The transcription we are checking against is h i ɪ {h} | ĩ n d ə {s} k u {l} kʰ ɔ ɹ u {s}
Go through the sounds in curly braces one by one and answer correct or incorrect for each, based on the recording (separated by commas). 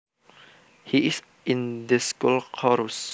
incorrect, correct, correct, correct